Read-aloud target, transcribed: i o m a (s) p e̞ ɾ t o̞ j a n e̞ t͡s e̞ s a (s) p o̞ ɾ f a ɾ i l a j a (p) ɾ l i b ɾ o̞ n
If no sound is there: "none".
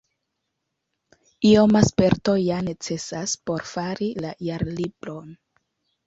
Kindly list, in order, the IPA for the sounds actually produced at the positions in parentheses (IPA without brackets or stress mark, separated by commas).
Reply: s, s, none